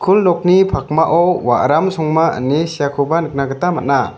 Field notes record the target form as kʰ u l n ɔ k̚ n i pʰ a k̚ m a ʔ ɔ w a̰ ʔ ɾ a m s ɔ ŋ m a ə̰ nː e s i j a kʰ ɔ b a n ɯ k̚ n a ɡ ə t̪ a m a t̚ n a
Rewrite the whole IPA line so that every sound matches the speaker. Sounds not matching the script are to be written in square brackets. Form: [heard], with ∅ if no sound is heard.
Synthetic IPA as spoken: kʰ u l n ɔ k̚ n i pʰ a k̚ m a ʔ ɔ w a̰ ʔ ɾ a m s ɔ ŋ m a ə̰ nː e s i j a kʰ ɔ b a n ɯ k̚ n a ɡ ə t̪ a m a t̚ n a